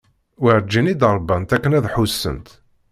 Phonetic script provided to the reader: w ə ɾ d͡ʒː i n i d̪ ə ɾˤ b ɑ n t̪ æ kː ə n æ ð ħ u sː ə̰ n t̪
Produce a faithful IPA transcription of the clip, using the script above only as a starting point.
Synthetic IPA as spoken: w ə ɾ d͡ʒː i n i d̪ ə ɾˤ b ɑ n t̪ æ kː ə n æ ð ħ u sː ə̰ n t̪